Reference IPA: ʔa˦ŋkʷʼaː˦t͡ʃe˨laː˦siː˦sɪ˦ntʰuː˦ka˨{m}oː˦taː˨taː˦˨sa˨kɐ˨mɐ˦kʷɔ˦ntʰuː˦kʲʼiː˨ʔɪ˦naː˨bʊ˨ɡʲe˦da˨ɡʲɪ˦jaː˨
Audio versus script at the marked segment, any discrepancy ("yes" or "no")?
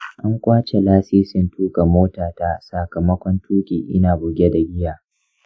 no